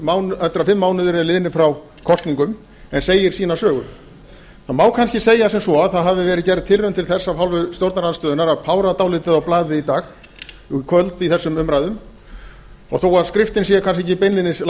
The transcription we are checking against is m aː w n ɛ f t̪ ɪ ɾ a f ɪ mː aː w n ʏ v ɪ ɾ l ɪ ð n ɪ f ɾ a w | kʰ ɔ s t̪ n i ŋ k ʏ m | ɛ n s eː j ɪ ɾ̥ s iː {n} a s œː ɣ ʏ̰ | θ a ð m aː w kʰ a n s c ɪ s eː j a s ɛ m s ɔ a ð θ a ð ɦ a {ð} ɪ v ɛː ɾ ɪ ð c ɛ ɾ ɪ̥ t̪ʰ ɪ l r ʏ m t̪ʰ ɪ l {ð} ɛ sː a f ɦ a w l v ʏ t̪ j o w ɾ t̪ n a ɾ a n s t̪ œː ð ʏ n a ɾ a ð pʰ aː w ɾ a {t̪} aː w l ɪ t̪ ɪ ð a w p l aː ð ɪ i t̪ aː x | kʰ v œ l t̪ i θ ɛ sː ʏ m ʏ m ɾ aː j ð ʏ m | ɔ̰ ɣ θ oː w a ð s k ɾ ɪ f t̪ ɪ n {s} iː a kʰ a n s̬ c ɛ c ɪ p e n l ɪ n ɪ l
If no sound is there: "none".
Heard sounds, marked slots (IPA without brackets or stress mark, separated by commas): n, v, θ, t̪, s